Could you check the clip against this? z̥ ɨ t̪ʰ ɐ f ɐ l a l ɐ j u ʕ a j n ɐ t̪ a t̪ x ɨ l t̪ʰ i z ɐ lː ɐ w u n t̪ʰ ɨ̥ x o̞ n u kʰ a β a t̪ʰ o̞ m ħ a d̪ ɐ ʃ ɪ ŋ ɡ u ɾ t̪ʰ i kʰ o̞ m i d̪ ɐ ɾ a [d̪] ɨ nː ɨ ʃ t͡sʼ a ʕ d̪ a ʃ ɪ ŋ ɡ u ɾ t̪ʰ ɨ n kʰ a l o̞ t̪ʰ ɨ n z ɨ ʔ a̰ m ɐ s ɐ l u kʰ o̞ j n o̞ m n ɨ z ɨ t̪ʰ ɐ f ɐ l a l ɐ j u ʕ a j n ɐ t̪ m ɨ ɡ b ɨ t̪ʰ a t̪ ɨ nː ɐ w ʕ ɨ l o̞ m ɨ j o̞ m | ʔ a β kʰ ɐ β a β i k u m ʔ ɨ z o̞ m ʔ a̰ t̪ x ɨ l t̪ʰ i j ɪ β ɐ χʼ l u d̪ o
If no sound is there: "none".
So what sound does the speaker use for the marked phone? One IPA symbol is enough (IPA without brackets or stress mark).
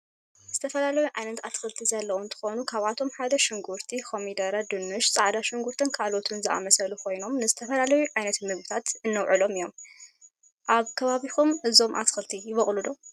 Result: d̪